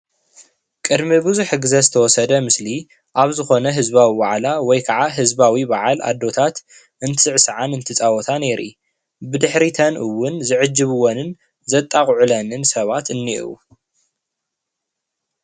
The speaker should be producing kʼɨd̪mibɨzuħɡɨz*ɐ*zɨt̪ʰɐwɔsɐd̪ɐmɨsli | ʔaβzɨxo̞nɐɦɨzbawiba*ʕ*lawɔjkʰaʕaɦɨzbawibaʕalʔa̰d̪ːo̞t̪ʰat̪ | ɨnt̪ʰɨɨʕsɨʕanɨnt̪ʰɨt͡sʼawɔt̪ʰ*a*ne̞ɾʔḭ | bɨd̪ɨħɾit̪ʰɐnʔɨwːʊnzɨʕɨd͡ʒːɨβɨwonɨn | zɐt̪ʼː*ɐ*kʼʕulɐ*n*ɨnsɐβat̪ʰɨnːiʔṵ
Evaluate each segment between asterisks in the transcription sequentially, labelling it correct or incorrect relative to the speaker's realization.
correct, correct, correct, incorrect: a, correct

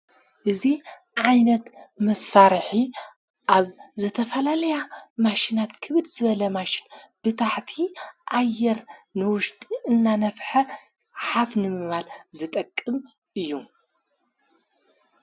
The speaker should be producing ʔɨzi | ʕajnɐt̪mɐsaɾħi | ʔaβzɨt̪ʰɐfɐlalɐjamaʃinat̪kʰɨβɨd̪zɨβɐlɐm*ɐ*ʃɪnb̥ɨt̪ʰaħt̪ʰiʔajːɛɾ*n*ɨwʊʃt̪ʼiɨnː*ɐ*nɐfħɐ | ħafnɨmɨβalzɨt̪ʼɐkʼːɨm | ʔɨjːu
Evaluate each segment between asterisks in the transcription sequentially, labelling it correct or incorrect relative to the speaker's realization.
incorrect: a, correct, incorrect: a

